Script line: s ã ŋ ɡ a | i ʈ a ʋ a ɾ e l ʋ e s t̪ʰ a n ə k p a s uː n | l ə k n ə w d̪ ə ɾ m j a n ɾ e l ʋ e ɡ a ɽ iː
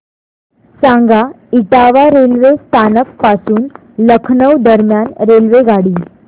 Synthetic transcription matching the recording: s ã ŋ ɡ a | i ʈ a ʋ a ɾ e l ʋ e s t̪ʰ a n ə k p a s uː n | l ə kʰ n ə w d̪ ə ɾ m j a n ɾ e l ʋ e ɡ a ɽ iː

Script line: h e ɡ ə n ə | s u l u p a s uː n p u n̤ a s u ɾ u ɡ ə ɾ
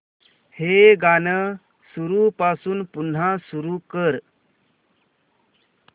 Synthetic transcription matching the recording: h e ɡ a n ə | s u ɾ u p a s uː n p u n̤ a s u ɾ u k ə ɾ

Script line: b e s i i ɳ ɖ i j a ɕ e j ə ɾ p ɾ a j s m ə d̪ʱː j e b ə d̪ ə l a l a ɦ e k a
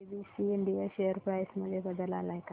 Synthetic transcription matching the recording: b i s i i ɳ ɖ i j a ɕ e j ə ɾ p ɾ a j s m ə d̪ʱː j e b ə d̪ ə l a l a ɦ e k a

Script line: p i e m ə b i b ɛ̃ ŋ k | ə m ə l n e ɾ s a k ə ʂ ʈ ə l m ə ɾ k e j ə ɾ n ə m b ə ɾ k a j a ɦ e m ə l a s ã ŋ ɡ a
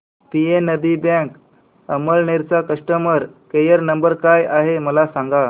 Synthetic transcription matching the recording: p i e n ə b i b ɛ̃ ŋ k | ə m ə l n e ɾ t͡s a k ə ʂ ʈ ə m ə ɾ k e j ə ɾ n ə m b ə ɾ k a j a ɦ e m ə l a s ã ŋ ɡ a

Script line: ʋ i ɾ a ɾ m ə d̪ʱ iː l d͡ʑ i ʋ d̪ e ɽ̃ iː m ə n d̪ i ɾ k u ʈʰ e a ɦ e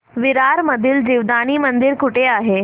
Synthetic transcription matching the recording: ʋ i ɾ a ɾ m ə d̪ʱ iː l d͡ʑ i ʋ d̪ a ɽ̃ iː m ə n d̪ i ɾ k u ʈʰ e a ɦ e

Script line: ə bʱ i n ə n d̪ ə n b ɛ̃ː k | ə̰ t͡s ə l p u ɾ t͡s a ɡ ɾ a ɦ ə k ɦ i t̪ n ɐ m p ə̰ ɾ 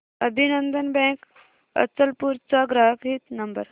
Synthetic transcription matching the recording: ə bʱ i n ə n d̪ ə n b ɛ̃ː k | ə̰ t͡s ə l p u ɾ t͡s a ɡ ɾ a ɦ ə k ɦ i t̪ n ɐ m b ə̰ ɾ

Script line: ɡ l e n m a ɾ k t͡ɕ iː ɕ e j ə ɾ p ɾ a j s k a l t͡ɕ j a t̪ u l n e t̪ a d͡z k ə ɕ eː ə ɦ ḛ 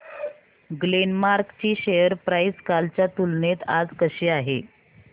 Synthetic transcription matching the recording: ɡ l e n m a ɾ k t͡ɕ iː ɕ e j ə ɾ p ɾ a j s k a l t͡ɕ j a t̪ u l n e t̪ a d͡z k ə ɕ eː a ɦ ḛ

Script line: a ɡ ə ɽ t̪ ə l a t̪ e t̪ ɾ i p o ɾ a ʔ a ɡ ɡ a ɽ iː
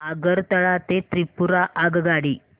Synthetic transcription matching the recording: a ɡ ə ɾ t̪ ə ɭ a t̪ e t̪ ɾ i p u ɾ a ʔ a ɡ ɡ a ɽ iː

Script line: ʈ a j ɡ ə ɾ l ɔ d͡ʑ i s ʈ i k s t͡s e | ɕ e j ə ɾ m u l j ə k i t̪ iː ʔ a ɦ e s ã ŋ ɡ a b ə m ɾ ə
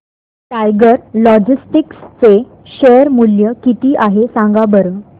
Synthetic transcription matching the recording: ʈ a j ɡ ə ɾ l ɔ d͡ʑ i s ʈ i k s t͡s e | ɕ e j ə ɾ m u l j ə k i t̪ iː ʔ a ɦ e s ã ŋ ɡ a b ə ɾ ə

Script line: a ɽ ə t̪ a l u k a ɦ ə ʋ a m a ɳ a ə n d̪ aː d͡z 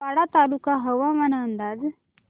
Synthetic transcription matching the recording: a ɽ a t̪ a l u k a ɦ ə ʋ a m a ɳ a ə n d̪ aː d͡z

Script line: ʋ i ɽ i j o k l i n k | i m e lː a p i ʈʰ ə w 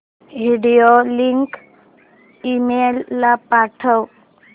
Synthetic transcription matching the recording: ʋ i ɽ i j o l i ŋ k | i m e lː a p a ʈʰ ə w

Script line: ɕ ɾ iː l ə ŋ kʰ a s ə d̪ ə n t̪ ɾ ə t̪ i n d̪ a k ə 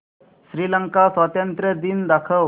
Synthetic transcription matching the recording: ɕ ɾ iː l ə ŋ k a s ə t̪ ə n t̪ ɾ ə d̪ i n d̪ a kʰ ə

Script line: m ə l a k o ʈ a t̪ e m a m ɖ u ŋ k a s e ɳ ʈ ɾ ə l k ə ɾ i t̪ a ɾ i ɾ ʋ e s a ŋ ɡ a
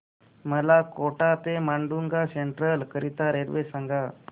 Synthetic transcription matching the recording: m ə l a k o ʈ a t̪ e m a ɳ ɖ u ŋ ɡ a s e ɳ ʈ ɾ ə l k ə ɾ i t̪ a ɾ e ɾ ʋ e s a ŋ ɡ a

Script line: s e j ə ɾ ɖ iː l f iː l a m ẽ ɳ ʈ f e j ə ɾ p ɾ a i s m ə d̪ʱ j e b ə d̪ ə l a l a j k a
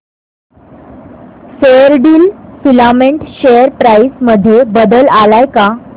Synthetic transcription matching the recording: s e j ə ɾ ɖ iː l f i l a m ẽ ɳ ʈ ɕ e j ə ɾ p ɾ a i s m ə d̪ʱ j e b ə d̪ ə l a l a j k a

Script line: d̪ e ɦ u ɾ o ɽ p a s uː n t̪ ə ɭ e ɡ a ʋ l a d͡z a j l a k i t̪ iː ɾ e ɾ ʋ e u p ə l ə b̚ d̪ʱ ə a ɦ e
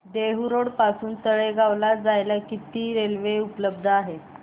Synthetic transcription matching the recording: d̪ e ɦ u ɾ o ɽ p a s uː n t̪ ə ɭ e ɡ a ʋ l a d͡z a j l a k i t̪ iː ɾ e l ʋ e u p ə l ə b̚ d̪ʱ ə a ɦ e

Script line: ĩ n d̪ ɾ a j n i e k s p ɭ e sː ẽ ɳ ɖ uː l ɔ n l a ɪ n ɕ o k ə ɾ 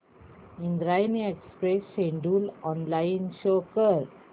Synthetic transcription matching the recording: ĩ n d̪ ɾ a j n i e k s p ɾ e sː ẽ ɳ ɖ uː l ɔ n l a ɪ n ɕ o k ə ɾ

